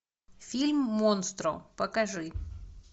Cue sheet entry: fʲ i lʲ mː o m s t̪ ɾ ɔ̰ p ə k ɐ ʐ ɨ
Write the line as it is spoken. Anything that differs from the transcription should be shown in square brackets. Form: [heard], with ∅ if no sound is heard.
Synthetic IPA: fʲ i lʲ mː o [n] s t̪ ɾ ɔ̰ p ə k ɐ ʐ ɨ